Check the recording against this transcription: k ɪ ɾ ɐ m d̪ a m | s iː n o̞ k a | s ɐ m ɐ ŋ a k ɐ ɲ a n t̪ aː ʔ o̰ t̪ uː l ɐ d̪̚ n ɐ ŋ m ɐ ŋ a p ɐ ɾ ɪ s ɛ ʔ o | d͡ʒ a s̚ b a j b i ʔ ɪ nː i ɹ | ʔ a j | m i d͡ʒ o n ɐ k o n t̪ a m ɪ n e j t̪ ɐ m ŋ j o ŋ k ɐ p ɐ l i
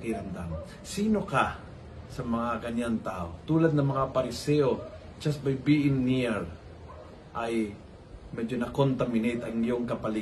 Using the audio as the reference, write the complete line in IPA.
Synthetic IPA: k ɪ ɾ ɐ m d̪ a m | s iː n o̞ k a | s ɐ m ɐ ŋ a k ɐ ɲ a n t̪ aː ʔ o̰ t̪ uː l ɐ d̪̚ n ɐ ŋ m ɐ ŋ a p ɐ ɾ ɪ s ɛ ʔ o | d͡ʒ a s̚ b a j b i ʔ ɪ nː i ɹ | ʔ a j | m ɛ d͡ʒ o n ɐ k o n t̪ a m ɪ n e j t̪ ɐ ŋ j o ŋ k ɐ p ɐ l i